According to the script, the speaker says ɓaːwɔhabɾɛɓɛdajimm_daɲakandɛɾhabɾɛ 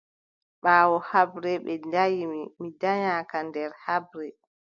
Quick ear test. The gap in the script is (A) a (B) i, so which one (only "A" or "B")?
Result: B